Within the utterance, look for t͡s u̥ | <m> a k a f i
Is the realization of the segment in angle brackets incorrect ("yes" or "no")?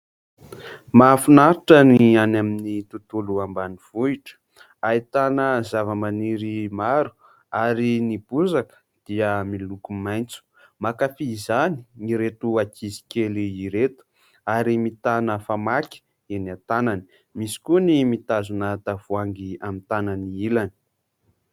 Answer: no